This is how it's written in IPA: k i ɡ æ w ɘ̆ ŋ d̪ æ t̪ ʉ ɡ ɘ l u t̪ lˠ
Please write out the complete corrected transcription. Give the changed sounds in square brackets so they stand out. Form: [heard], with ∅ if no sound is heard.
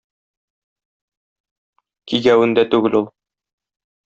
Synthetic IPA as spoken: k i ɡ æ w ɘ̆ [n] d̪ æ t̪ ʉ ɡ ɘ l u [∅] lˠ